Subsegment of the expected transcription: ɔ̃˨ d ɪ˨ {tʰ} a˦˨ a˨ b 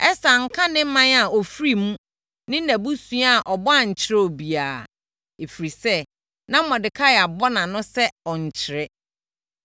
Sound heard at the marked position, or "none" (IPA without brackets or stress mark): kʰ